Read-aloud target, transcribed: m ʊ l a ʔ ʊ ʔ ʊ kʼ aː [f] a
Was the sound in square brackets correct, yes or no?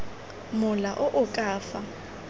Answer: yes